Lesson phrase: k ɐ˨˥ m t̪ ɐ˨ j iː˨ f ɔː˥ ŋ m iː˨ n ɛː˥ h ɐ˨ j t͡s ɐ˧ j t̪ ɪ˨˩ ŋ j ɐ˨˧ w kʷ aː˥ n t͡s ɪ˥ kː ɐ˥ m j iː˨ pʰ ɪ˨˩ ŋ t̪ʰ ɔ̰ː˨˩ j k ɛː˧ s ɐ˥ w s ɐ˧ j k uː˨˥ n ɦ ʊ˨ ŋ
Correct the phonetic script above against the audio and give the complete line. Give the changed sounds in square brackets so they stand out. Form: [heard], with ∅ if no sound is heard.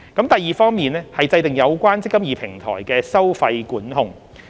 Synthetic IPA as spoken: k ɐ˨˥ m t̪ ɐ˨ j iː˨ f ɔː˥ ŋ m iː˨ n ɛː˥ h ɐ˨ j t͡s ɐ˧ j t̪ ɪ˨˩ ŋ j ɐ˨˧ w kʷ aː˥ n t͡s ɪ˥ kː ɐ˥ m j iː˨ pʰ ɪ˨˩ ŋ t̪ʰ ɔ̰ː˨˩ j k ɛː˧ s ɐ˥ w [f] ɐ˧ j k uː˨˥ n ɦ ʊ˨ ŋ

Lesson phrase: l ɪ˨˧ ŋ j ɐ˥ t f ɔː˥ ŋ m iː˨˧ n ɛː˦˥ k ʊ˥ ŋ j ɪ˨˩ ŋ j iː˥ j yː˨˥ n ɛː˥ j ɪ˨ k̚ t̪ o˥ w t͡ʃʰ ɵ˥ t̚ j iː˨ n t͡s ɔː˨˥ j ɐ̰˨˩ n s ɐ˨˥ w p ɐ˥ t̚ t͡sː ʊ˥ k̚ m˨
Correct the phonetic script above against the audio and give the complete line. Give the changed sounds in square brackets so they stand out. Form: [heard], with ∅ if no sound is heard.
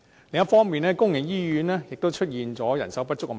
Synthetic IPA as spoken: l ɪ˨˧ ŋ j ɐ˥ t f ɔː˥ ŋ m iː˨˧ n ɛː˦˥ k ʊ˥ ŋ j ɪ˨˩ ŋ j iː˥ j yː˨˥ n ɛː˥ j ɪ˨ k̚ t̪ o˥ w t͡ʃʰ ɵ˥ t̚ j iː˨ n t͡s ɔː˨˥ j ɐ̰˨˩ n s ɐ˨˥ w p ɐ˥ t̚ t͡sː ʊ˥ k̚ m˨

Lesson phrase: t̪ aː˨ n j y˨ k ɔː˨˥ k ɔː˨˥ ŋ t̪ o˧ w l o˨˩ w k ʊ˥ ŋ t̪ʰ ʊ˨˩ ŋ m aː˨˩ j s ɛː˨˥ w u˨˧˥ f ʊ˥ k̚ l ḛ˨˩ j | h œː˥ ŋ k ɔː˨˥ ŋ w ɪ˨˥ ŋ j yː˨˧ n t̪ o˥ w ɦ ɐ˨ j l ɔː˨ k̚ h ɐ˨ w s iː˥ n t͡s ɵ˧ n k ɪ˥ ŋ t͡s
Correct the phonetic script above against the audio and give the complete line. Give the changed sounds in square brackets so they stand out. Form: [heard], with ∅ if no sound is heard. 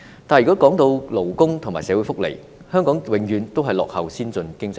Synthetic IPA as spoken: t̪ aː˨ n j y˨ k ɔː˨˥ k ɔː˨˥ ŋ t̪ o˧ w l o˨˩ w k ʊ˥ ŋ t̪ʰ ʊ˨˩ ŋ m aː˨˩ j s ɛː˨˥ w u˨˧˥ f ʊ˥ k̚ l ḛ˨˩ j | h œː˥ ŋ k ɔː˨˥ ŋ w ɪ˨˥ ŋ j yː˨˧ n t̪ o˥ w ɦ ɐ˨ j l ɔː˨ k̚ h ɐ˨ w s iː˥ n t͡s ɵ˧ n k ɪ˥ ŋ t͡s

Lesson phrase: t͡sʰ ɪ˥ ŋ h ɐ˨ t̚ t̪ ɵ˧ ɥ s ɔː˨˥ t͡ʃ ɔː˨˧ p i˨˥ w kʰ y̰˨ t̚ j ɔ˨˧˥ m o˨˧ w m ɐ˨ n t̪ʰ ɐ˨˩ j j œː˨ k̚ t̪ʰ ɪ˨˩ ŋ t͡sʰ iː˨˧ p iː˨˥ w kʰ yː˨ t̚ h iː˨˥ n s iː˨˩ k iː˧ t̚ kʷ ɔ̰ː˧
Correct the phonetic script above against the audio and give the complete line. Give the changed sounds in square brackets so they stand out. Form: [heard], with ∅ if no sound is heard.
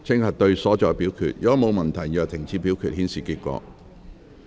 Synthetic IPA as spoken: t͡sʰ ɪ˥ ŋ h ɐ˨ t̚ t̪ ɵ˧ ɥ s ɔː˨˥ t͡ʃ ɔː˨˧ p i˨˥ w kʰ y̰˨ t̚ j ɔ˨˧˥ m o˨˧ w m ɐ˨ n t̪ʰ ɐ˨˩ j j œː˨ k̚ t̪ʰ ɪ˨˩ ŋ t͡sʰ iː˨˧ p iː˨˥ w kʰ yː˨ t̚ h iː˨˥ n s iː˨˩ k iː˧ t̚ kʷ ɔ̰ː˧

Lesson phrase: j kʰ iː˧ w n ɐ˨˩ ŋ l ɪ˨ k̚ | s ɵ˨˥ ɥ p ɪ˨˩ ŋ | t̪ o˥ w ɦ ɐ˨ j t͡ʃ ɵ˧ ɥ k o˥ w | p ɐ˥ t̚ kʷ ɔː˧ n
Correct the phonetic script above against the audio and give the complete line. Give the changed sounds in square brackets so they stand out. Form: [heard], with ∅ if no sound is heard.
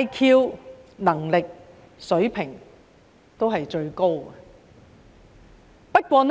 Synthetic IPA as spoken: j kʰ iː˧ w n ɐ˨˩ ŋ l ɪ˨ k̚ | s ɵ˨˥ ɥ [pʰ] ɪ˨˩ ŋ | t̪ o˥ w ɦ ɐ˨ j t͡ʃ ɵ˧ ɥ k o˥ w | p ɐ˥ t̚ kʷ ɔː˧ n

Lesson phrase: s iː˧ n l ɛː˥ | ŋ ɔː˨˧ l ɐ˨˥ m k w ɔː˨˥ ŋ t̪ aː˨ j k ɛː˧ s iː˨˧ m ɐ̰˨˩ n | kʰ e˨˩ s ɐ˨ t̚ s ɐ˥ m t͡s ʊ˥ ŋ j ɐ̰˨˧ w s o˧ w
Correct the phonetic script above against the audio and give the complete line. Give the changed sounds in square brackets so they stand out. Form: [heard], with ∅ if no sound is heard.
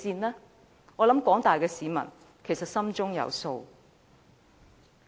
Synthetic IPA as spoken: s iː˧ n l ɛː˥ | ŋ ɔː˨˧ l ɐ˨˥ m k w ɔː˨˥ ŋ t̪ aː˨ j k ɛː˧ s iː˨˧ m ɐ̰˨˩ n | kʰ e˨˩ s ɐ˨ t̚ s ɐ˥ m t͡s ʊ˥ ŋ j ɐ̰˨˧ w s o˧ w

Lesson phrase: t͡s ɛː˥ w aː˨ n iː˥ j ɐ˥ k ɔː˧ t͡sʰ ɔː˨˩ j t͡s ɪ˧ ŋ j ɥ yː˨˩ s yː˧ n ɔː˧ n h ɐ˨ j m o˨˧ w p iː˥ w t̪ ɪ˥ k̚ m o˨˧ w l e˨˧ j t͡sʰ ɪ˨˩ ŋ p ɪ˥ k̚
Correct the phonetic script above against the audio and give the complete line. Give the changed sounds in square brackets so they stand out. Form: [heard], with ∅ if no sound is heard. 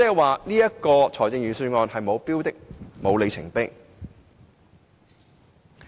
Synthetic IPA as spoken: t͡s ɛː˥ w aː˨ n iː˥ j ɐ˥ k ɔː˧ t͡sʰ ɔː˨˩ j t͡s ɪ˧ ŋ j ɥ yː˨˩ s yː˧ [ŋ] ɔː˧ n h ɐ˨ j m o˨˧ w p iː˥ w t̪ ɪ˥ k̚ m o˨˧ w l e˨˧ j t͡sʰ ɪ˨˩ ŋ p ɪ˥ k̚

